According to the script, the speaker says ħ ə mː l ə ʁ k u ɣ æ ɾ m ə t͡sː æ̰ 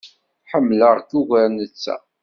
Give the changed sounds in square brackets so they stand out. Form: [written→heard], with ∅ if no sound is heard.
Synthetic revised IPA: ħ ə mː l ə ʁ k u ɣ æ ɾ [m→n] ə t͡sː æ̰

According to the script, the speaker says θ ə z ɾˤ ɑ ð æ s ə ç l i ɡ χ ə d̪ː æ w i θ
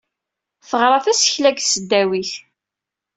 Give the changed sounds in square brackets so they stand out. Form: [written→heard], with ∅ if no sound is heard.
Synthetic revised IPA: θ ə [z→ʁ] ɾˤ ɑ [ð→θ] æ s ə ç l [i→æ] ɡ [χ→s] ə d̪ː æ w i θ

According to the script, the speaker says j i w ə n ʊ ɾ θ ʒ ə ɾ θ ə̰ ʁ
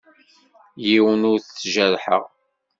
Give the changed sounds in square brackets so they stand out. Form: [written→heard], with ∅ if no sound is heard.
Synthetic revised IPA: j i w ə n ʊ ɾ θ ʒ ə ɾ [θ→ħ] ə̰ ʁ

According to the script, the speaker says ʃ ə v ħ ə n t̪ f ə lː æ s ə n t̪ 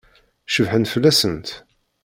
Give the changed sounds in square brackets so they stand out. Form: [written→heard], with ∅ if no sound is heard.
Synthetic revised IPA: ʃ ə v ħ ə n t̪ f ə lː æ s ə n t̪

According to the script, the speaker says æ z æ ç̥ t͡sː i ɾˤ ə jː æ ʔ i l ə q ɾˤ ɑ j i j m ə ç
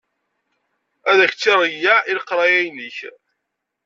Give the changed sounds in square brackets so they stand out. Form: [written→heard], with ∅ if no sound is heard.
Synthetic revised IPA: æ [z→ð] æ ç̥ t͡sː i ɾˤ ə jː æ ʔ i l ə q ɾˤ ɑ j [i→æ] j [m→n] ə ç

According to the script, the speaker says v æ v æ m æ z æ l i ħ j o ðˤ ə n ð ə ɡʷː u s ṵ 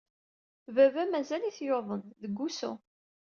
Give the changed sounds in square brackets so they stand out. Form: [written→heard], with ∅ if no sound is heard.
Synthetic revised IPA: v æ v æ m æ z æ l i [ħ→θ] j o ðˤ ə n ð ə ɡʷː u s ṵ

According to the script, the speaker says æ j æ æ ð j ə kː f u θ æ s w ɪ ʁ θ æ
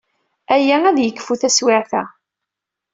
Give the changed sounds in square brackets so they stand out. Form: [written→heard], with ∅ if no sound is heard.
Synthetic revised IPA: æ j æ æ ð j ə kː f u θ æ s w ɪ [ʁ→ʕ] θ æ

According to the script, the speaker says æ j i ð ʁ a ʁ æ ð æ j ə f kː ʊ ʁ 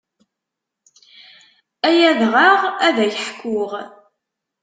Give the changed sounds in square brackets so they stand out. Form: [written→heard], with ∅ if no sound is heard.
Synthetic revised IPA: æ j [i→æ] ð ʁ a ʁ æ ð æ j ə [f→ħ] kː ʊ ʁ

